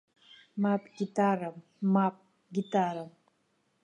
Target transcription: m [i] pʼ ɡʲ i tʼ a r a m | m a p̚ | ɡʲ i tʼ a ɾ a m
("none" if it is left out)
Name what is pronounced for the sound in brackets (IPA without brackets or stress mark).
a